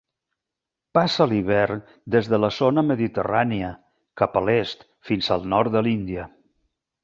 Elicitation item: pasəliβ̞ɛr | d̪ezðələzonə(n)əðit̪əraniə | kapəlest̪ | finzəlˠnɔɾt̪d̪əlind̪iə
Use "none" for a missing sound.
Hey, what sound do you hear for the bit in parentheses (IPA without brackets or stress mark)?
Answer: m